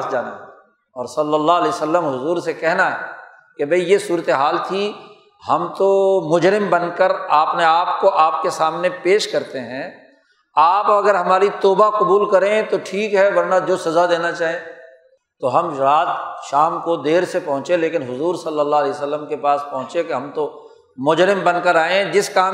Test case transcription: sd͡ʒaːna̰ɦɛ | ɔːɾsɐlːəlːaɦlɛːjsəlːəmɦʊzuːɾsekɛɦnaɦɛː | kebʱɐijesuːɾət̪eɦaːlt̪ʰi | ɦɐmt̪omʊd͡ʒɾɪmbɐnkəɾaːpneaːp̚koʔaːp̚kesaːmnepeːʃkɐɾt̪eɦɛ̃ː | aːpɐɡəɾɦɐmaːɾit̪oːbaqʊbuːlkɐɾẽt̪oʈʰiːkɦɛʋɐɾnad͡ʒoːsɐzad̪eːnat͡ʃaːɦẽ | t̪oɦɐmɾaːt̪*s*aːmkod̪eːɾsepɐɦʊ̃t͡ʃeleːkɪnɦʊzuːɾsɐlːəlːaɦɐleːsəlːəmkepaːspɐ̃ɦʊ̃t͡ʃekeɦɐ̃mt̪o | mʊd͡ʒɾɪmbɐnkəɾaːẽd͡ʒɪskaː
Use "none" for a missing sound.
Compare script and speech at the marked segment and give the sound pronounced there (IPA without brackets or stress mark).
ʃ